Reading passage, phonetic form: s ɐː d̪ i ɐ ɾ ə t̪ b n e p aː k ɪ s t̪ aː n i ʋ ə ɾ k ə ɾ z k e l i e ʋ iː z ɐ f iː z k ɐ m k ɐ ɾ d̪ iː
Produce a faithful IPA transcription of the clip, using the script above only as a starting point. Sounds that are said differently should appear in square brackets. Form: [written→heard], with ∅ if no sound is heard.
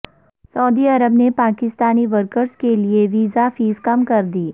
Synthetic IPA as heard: s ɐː d̪ i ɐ ɾ ə [t̪→∅] b n e p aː k ɪ s t̪ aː n i ʋ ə ɾ k ə ɾ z k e l i e ʋ iː z [ɐ→a] f iː z k ɐ m k ɐ ɾ d̪ iː